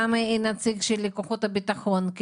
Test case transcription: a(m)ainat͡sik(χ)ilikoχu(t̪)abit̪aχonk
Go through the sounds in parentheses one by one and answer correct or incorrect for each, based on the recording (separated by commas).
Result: correct, incorrect, correct